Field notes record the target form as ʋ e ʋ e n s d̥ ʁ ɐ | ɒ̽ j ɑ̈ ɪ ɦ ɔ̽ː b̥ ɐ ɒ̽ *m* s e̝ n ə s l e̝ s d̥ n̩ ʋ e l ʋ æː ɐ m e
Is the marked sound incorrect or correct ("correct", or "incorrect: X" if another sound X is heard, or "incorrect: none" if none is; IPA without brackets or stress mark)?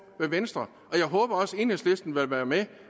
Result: incorrect: none